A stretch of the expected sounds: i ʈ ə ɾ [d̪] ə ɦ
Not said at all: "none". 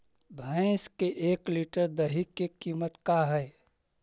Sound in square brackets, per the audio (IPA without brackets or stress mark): d̪